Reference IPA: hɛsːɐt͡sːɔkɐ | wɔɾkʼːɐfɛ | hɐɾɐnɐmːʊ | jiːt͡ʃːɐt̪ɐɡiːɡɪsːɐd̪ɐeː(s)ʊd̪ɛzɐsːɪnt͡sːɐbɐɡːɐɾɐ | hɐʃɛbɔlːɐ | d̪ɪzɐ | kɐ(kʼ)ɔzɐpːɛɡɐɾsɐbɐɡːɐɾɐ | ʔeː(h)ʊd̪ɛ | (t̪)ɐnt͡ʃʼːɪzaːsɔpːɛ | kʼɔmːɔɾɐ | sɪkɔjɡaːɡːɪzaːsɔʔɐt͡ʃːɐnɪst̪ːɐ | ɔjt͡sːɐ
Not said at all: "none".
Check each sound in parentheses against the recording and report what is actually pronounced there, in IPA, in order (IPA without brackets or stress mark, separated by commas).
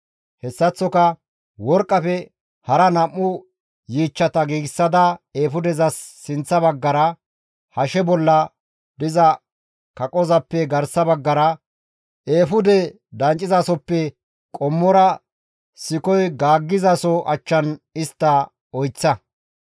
f, kʼ, f, d̪